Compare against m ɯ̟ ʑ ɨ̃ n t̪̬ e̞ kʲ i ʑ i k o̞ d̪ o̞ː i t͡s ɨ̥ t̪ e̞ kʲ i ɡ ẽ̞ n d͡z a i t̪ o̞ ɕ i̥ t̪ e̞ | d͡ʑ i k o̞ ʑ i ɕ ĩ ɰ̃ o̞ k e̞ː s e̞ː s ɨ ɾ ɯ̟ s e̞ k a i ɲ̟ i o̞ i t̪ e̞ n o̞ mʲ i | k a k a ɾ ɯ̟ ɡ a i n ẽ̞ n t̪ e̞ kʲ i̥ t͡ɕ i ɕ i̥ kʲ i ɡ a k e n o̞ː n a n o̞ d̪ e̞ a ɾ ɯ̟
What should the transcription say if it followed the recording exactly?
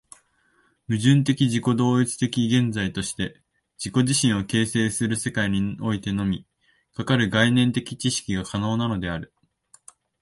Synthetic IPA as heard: m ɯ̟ ʑ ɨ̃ n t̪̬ e̞ kʲ i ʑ i k o̞ d̪ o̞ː i t͡s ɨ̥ t̪ e̞ kʲ i ɡ ẽ̞ n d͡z a i t̪ o̞ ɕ i̥ t̪ e̞ | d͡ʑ i k o̞ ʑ i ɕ ĩ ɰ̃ o̞ k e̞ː s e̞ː s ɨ ɾ ɯ̟ s e̞ k a i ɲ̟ i o̞ i t̪ e̞ n o̞ mʲ i | k a k a ɾ ɯ̟ ɡ a i n ẽ̞ n t̪ e̞ kʲ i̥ t͡ɕ i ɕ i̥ kʲ i ɡ a k a n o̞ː n a n o̞ d̪ e̞ a ɾ ɯ̟